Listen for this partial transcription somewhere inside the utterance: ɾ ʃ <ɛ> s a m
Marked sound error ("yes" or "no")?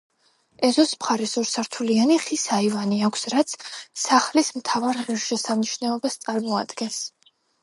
no